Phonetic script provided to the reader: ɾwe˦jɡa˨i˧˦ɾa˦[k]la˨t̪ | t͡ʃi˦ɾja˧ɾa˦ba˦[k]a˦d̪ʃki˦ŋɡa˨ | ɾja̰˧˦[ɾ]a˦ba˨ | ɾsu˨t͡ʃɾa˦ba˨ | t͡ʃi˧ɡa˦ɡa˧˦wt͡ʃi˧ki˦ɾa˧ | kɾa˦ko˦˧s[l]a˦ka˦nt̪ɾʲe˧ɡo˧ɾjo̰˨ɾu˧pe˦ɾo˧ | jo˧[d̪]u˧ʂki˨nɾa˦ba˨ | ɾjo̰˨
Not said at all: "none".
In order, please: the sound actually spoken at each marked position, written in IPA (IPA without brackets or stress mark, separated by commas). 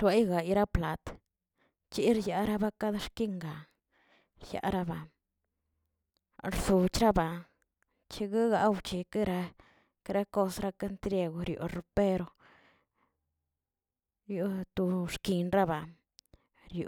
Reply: p, k, ɾ, ɾ, t̪